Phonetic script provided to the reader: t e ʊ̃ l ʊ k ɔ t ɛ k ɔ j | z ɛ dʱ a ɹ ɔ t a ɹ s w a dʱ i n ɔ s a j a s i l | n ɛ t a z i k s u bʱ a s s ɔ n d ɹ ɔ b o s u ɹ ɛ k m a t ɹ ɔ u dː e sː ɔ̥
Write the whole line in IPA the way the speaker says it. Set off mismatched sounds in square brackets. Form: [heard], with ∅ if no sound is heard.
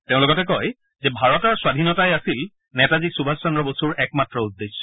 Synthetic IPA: t e ʊ̃ l ʊ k ɔ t ɛ k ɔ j | z ɛ [bʱ] a ɹ ɔ t a ɹ s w a dʱ i n ɔ [t] a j a s i l | n ɛ t a z i k s u bʱ a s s ɔ n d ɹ ɔ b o s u ɹ ɛ k m a t ɹ ɔ u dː e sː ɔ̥